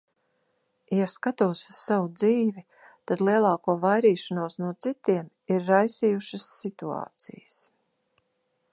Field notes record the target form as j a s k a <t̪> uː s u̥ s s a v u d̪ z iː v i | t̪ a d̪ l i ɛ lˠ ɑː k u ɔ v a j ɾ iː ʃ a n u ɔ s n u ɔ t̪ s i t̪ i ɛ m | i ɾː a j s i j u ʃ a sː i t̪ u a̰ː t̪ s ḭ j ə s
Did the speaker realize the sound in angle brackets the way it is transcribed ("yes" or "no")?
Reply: yes